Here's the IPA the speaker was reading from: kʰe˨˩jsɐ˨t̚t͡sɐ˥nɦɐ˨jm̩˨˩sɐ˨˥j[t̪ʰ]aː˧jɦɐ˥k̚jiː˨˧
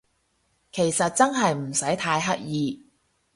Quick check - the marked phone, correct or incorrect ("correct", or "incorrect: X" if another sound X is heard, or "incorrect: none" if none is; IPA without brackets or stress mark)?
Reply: correct